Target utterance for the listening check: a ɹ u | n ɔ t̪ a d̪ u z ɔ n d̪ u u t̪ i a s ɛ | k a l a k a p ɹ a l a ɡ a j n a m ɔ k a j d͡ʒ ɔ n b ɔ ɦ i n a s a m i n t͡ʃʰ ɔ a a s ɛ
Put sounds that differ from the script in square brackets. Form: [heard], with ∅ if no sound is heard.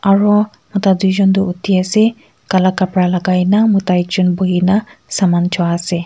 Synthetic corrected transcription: a ɹ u | [m] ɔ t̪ a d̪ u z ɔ n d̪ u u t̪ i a s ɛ | k a l a k a p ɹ a l a ɡ a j n a m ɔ [t] a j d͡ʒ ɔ n b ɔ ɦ i n a s a m [a] n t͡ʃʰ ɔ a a s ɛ